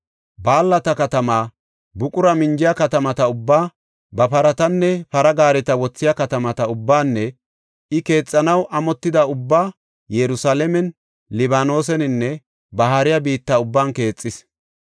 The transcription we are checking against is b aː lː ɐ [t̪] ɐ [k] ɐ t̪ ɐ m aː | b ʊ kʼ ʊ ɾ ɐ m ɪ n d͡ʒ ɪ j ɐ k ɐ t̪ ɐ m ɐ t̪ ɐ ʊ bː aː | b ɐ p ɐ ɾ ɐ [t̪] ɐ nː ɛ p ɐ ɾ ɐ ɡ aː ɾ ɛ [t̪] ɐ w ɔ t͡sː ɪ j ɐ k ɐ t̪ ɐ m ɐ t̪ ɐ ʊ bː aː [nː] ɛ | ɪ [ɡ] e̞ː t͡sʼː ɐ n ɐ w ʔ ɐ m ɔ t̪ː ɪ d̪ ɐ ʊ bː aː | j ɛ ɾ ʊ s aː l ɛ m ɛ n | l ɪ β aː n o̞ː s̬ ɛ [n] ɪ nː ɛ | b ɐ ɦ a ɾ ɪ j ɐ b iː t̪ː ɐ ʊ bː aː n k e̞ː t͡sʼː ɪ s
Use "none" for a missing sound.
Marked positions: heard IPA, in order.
t̪, k, t̪, t̪, nː, k, n

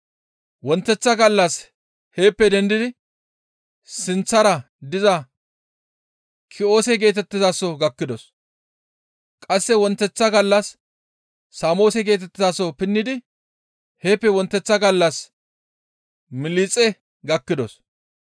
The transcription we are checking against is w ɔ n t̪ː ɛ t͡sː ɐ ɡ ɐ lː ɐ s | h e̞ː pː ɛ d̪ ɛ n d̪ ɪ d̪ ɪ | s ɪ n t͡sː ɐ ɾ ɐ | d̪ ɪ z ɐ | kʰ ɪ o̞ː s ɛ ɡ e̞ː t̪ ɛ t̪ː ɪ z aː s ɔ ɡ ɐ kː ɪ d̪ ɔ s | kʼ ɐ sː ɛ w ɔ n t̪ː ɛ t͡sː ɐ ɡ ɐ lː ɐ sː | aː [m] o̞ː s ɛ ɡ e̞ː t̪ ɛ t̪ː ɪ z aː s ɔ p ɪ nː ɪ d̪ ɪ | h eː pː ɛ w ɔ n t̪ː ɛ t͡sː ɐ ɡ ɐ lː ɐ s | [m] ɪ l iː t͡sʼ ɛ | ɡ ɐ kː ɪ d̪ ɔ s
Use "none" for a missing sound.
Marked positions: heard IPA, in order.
m, m

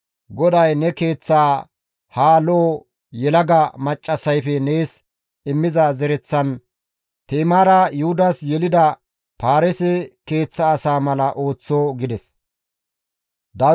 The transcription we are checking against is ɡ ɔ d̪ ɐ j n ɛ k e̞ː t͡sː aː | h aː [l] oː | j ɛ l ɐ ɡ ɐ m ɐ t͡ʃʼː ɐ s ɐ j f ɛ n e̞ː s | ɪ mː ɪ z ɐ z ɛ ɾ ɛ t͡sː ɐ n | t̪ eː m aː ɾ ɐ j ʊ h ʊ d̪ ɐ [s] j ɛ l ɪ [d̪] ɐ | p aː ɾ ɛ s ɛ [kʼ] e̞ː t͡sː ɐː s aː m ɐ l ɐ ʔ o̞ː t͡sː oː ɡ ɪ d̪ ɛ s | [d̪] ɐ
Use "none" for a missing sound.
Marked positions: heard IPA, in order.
l, s, d̪, k, d̪

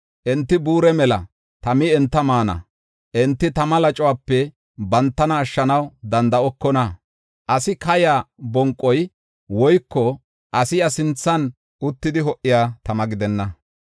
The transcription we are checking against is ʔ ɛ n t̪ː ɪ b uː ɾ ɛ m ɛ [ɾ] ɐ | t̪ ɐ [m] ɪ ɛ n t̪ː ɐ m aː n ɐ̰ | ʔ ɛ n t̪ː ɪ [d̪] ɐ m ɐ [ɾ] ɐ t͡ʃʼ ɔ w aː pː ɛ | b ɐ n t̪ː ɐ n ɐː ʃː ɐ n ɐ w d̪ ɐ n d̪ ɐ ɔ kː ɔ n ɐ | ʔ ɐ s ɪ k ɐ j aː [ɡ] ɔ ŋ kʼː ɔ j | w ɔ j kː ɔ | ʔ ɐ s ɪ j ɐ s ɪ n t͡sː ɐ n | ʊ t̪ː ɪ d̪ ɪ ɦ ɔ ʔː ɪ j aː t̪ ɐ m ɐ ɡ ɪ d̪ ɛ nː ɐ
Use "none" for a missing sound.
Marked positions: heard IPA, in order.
l, m, t̪, l, b

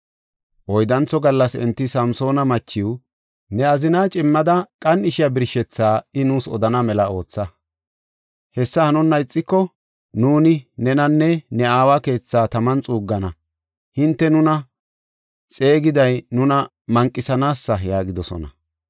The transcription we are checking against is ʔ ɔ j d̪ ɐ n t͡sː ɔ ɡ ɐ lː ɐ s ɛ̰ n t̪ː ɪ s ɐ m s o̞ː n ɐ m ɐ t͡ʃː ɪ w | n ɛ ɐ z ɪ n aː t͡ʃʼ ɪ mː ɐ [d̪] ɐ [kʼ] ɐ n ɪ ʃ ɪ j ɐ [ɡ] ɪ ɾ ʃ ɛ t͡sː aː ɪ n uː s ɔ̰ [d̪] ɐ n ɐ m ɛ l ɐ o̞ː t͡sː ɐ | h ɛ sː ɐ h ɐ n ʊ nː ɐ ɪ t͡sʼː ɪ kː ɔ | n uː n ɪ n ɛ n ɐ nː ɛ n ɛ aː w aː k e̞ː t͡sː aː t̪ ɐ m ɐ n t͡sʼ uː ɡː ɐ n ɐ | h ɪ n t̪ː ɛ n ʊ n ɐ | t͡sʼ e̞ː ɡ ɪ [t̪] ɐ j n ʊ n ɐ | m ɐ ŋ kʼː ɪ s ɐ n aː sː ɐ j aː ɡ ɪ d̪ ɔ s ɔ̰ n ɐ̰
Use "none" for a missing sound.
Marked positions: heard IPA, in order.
d̪, kʼ, b, d̪, d̪

